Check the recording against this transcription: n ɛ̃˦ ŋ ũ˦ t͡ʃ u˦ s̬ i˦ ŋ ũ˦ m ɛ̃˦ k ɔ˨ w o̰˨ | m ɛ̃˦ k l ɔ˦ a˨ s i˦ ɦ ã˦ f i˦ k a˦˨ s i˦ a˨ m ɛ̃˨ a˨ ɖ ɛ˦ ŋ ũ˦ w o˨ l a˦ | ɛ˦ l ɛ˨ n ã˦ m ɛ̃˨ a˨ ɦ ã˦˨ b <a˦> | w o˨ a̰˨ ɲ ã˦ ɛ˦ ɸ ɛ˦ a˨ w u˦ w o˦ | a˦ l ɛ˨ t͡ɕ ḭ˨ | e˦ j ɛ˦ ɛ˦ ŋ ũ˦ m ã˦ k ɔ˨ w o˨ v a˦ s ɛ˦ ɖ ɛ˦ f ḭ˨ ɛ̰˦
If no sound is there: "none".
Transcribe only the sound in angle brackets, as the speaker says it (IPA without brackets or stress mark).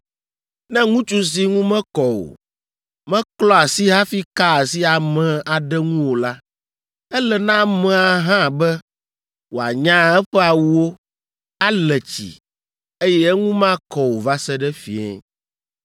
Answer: ɛ˦